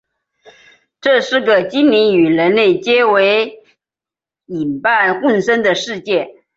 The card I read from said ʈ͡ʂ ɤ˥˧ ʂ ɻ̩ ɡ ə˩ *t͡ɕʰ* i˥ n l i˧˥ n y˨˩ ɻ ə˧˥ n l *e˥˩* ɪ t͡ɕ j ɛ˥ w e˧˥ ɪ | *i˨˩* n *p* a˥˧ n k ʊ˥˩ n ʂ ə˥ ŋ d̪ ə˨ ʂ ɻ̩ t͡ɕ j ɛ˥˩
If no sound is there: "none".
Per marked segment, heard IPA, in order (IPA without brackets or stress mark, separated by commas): t͡ɕ, e˥˩, i˨˩, p